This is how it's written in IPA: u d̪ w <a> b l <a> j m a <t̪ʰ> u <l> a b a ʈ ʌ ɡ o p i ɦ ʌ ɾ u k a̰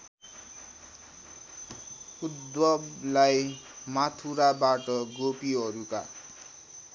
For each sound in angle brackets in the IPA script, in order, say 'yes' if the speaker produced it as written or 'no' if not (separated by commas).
no, yes, yes, no